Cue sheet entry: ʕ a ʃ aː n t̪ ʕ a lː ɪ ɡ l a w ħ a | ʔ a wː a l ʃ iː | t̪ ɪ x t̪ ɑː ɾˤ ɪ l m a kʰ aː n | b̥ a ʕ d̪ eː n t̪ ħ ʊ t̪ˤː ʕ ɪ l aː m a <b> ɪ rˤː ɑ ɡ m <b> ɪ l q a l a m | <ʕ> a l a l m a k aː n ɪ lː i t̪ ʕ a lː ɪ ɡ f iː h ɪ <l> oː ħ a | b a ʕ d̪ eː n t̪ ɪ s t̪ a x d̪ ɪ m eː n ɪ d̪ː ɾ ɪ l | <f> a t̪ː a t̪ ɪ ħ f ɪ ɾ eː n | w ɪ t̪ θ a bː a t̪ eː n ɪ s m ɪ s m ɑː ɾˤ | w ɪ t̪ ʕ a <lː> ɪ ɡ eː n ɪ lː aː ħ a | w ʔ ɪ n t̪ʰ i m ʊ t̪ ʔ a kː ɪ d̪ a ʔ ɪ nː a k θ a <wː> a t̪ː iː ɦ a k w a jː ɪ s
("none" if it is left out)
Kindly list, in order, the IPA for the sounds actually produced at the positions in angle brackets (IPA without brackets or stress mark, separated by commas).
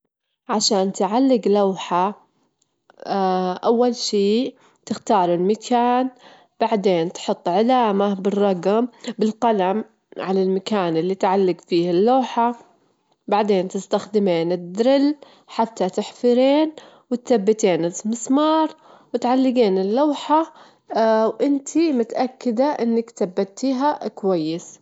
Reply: b, b, ʕ, lː, ħ, lː, bː